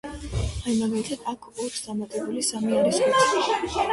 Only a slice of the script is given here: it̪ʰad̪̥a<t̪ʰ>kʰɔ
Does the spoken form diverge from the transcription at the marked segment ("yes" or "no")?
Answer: yes